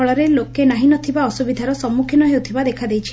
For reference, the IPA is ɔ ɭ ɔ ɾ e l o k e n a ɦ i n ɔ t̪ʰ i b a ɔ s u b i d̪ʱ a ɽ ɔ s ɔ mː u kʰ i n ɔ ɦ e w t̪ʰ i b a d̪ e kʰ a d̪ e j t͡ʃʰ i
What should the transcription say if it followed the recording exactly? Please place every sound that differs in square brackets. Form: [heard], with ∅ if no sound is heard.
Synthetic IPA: ɔ ɭ ɔ ɾ e l o k e n a ɦ i n ɔ t̪ʰ i b a ɔ s u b i d̪ʱ a [ɾ] ɔ s ɔ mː u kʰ i n ɔ ɦ e w t̪ʰ i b a d̪ e kʰ a d̪ e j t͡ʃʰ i